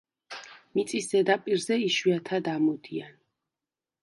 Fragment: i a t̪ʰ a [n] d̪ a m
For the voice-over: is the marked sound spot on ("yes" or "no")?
no